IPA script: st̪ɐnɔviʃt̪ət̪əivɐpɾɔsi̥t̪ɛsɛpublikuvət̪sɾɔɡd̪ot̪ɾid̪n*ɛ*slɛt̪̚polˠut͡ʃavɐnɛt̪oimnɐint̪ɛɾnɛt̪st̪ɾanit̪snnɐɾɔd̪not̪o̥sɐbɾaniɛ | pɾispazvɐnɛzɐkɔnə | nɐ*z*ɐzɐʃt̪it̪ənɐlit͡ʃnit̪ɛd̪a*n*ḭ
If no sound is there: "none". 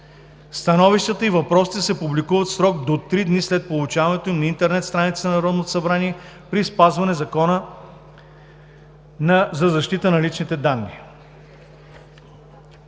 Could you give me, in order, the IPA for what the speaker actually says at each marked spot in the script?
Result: i, z, nː

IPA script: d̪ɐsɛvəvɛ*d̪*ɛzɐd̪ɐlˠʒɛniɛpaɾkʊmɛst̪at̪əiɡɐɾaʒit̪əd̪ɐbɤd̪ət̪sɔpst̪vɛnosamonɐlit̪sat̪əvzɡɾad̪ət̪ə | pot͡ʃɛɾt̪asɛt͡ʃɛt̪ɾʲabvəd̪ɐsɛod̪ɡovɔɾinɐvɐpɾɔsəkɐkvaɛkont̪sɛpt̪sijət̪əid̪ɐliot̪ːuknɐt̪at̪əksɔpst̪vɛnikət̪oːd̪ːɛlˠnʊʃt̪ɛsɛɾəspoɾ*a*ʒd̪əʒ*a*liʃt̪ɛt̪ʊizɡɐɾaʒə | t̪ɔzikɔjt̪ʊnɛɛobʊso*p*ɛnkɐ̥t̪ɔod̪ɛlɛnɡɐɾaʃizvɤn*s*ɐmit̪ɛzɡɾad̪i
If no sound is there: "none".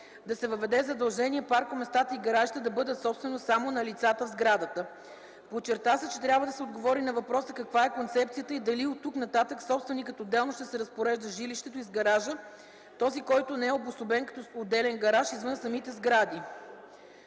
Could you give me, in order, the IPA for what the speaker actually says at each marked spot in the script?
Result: d̪, ɛ, i, b, s

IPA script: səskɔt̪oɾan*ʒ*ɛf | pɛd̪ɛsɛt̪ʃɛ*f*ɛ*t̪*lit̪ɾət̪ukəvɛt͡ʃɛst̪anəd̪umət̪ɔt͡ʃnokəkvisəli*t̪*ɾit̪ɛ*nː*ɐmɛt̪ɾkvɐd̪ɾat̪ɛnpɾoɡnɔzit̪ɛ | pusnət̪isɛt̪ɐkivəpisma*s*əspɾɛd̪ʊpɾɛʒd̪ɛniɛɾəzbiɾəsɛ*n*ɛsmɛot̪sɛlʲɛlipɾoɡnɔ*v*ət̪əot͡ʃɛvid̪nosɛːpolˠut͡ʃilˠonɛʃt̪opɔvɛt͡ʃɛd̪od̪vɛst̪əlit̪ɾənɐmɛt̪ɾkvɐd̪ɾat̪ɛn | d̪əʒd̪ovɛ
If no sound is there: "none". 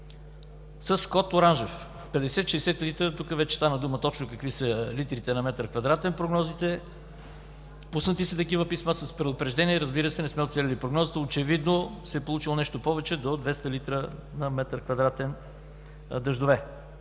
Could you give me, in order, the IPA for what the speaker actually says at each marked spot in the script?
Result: ʒ, s, t̪, t̪, n, s, n, z

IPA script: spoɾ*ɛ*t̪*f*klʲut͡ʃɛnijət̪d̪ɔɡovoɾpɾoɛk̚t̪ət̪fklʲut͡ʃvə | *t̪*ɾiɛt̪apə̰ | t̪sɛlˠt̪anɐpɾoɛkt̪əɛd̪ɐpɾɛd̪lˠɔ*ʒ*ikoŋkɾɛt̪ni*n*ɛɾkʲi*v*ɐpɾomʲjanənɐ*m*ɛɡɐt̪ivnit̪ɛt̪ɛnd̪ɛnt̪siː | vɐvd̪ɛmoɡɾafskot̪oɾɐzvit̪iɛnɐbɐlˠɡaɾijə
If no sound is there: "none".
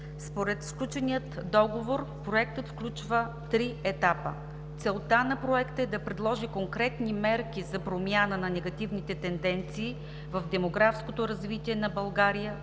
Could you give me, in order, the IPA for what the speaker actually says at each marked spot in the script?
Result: ɛ, s, t̪, ʒ, m, z, n

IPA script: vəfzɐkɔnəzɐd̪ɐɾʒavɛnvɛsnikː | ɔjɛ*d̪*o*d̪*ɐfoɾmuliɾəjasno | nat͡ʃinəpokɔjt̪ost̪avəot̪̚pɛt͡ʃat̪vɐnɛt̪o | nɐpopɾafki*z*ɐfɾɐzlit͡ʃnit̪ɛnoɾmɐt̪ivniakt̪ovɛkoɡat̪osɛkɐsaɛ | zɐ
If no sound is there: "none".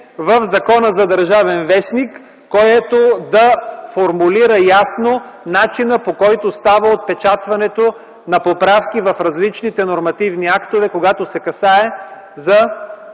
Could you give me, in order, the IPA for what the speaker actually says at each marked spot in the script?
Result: t̪, d̪, v

